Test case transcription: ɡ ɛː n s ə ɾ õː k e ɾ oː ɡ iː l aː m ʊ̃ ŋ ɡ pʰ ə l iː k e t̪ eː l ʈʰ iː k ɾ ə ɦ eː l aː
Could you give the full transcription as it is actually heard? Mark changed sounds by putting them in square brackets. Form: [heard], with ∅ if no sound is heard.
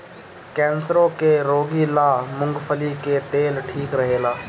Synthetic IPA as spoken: [k] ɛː n s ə ɾ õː k e ɾ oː ɡ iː l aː m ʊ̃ ŋ ɡ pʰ ə l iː k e t̪ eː l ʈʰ iː k ɾ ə ɦ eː l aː